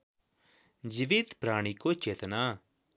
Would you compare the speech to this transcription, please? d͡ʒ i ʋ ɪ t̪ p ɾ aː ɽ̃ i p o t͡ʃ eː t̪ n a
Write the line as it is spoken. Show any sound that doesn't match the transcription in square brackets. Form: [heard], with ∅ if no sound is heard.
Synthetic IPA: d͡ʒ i ʋ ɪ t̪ p ɾ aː ɽ̃ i [k] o t͡ʃ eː t̪ n a